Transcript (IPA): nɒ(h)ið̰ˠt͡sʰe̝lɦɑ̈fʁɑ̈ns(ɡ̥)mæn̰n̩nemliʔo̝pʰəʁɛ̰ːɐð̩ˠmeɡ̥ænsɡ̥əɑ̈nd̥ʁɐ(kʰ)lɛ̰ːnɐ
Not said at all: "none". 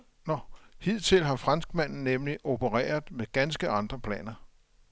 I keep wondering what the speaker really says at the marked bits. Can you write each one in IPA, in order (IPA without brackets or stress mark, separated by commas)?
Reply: h, ɡ̥, pʰ